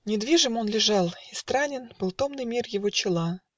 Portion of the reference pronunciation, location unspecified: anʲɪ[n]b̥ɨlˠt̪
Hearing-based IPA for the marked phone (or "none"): n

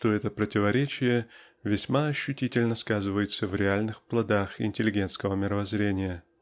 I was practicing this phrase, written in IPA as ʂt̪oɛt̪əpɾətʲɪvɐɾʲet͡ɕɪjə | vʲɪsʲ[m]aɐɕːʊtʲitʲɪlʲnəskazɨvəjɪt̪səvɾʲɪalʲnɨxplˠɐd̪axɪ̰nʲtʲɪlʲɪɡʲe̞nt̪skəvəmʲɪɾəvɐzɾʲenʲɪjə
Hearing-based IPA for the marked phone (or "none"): m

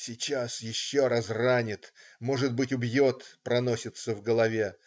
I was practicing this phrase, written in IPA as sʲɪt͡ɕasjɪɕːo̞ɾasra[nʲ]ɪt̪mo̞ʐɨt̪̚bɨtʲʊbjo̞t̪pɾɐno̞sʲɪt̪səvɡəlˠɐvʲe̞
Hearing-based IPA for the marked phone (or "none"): nʲ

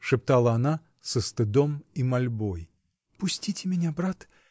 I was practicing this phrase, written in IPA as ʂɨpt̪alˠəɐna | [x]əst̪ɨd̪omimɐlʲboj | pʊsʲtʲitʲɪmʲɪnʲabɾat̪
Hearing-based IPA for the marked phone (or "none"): s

